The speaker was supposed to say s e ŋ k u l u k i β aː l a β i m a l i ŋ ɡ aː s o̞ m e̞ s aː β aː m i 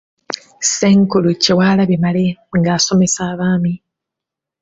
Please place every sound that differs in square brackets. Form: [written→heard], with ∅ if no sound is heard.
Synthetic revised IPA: s e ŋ k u l u [k→c] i [β→w] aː l a β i m a l [i→e] ŋ ɡ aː s o̞ m e̞ s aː β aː m i

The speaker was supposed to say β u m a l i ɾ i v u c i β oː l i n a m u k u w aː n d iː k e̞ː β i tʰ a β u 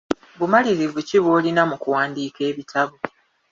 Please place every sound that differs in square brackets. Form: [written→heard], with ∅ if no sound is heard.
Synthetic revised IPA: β u m a l i ɾ i v u c i β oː l i n a m u k u w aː n d iː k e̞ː β i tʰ a β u

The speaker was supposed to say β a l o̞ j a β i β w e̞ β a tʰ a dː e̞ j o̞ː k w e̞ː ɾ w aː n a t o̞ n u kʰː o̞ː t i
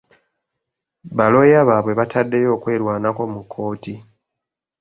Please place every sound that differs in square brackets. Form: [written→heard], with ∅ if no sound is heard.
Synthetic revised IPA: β a l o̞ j a β [i→a] β w e̞ β a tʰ a dː e̞ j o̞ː k w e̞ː ɾ w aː n a [t→k] o̞ [n→m] u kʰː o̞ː t i

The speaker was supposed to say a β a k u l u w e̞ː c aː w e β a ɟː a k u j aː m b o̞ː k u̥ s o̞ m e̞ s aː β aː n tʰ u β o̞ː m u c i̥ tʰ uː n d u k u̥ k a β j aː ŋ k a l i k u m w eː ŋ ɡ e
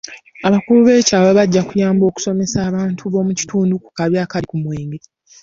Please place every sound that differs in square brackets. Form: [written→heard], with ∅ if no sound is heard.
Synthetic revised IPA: a β a k u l u [w→β] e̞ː c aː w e β a ɟː a k u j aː m b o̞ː k u̥ s o̞ m e̞ s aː β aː n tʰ u β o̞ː m u c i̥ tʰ uː n d u k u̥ k a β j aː [ŋ→∅] k a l i k u m w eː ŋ ɡ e

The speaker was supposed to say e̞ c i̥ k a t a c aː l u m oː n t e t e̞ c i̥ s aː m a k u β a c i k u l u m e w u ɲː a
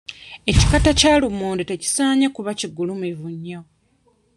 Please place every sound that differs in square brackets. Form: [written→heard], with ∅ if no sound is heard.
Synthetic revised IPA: e̞ c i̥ k a t a c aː l u m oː n [t→d] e t e̞ c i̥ s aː [m→ɲ] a k u β a c i [k→ɡ] u l u m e [w→v] u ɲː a

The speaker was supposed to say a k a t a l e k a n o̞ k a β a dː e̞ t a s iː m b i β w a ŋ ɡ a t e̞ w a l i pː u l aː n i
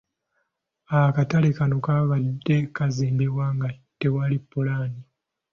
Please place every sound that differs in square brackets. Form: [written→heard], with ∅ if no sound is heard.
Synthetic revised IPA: a k a t a l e k a n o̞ k a β a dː e̞ [t→k] a [s→z] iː m b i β w a ŋ ɡ a t e̞ w a l i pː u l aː n i

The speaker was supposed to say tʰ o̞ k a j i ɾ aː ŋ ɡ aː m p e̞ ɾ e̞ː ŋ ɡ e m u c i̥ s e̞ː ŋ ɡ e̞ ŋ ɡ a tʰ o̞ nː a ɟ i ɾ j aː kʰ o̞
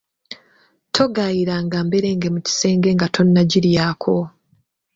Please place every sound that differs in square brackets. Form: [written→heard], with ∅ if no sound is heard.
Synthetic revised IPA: tʰ o̞ [k→ɡ] a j i ɾ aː ŋ ɡ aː m [p→b] e̞ ɾ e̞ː ŋ ɡ e m u c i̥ s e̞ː ŋ ɡ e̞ ŋ ɡ a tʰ o̞ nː a ɟ i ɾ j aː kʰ o̞

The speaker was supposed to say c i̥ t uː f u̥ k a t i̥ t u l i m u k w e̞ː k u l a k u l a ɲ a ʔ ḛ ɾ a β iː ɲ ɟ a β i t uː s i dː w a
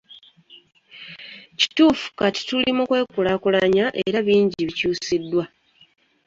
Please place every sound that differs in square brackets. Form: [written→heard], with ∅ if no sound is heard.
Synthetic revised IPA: c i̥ t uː f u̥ k a t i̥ t u l i m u k w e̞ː k u l a k u l a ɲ a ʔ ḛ ɾ a β iː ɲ ɟ [a→i] β i [t→c] uː s i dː w a

